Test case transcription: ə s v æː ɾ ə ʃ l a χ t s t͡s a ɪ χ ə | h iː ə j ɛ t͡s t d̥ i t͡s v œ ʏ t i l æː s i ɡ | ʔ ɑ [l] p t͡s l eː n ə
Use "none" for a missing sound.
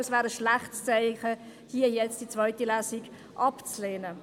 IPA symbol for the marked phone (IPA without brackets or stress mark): none